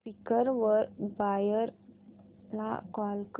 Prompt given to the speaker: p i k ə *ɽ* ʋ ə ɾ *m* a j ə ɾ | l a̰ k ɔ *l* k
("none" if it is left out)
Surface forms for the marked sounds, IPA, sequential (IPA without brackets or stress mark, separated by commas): ɾ, b, l